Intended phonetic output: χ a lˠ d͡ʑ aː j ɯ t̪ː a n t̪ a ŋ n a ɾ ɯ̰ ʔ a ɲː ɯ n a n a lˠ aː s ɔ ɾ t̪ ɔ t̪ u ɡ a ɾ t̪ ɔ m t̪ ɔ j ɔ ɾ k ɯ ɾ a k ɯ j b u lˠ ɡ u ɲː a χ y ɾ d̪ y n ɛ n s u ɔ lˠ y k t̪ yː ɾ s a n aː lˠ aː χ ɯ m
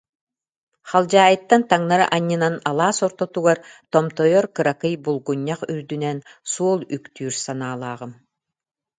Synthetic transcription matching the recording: χ a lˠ d͡ʑ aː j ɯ t̪ː a n t̪ a ŋ n a ɾ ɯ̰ ʔ a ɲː ɯ n a n a lˠ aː s ɔ ɾ t̪ ɔ t̪ u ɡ a ɾ t̪ ɔ m t̪ ɔ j ɔ ɾ k ɯ ɾ a k ɯ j b u lˠ ɡ u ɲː a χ y ɾ d̪ y n ɛ n s u ɔ lˠ y k t̪ yː ɾ s a n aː lˠ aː ʁ ɯ m

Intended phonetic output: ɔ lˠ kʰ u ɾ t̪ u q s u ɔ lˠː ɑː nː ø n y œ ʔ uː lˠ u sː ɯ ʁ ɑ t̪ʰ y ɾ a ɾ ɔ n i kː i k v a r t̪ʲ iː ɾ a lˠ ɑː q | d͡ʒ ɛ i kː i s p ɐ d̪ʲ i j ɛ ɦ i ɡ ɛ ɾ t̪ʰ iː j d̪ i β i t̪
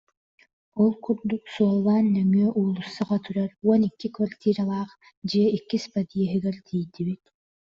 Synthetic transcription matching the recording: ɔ lˠ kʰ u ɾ d̪ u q s u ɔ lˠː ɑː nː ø ŋ y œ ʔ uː lˠ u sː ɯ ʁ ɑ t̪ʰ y ɾ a ɾ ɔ n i kː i k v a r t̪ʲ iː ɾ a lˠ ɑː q | d͡ʒ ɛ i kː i s p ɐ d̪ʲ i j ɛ ɦ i ɡ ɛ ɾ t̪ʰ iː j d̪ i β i t̪

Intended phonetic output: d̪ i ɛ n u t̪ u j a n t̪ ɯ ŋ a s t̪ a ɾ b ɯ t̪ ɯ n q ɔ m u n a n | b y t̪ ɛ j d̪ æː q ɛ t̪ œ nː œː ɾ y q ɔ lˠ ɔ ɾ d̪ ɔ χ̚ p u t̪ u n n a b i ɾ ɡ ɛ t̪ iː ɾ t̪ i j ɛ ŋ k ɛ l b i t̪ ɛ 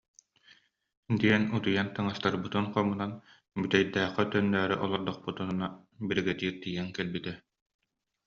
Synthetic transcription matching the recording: d̪ i ɛ n u t̪ u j a n t̪ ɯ ŋ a s t̪ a ɾ b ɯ t̪ ɯ n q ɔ m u n a n | b y t̪ ɛ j d̪ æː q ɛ t̪ œ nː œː ɾ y ʔ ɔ lˠ ɔ ɾ d̪ ɔ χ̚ p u t̪ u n n a b i ɾ ɡ ɛ t̪ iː ɾ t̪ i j ɛ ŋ k ɛ l b i t̪ ɛ

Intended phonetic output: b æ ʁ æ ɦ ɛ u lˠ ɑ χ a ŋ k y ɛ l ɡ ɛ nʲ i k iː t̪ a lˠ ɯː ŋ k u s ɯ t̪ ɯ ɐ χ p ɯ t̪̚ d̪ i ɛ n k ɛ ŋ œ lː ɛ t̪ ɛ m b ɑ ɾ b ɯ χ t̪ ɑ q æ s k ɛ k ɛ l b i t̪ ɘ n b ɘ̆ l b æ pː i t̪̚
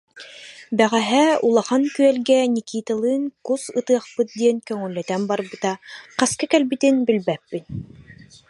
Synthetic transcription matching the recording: b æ ʁ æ ɦ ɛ u lˠ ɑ χ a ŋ k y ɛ l ɡ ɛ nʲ i k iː t̪ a lˠ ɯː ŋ k u s ɯ t̪ ɯ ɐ χ p ɯ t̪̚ d̪ i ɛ n k œ ŋ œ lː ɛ t̪ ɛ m b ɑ ɾ b ɯ t̪ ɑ q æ s k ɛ k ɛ l b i t̪ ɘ n b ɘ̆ l b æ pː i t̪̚

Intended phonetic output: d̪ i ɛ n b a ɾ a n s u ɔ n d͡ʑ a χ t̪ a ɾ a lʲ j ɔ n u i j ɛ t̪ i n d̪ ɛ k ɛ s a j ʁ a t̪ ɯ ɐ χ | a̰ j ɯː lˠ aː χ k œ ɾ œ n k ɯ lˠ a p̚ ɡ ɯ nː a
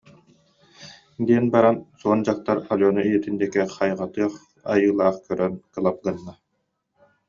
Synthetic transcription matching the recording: d̪ i ɛ n b a ɾ a n s u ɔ n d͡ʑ a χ t̪ a ɾ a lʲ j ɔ n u i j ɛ t̪ i n d̪ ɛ k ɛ χ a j ʁ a t̪ ɯ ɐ χ | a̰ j ɯː lˠ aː χ k œ ɾ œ n k ɯ lˠ a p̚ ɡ ɯ nː a

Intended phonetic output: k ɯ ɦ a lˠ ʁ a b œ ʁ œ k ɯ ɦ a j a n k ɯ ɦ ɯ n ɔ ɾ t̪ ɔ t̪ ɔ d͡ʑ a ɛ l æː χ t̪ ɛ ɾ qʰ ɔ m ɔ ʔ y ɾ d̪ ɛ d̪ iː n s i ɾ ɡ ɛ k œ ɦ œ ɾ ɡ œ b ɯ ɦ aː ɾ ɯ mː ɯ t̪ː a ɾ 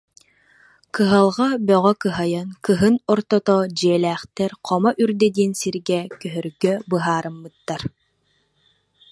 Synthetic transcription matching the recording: k ɯ ɦ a lˠ ʁ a b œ ʁ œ k ɯ ɦ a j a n k ɯ ɦ ɯ n ɔ ɾ t̪ ɔ t̪ ɔ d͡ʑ i ɛ l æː χ t̪ ɛ ɾ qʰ ɔ m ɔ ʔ y ɾ d̪ ɛ d̪ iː n s i ɾ ɡ ɛ k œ ɦ œ ɾ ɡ œ b ɯ ɦ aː ɾ ɯ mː ɯ t̪ː a ɾ

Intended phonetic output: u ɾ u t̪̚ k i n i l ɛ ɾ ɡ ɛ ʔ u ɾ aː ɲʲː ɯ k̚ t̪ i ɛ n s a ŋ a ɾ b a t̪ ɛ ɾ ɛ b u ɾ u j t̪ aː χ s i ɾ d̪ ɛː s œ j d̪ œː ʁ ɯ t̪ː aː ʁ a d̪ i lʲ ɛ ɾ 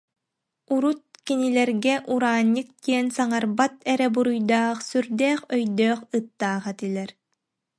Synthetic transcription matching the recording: u ɾ u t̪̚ k i n i l ɛ ɾ ɡ ɛ ʔ u ɾ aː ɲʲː ɯ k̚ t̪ i ɛ n s a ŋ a ɾ b a t̪ ɛ ɾ ɛ b u ɾ u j d̪ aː χ s y ɾ d̪ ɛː χ œ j d̪ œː χ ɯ t̪ː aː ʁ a t̪ i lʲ ɛ ɾ

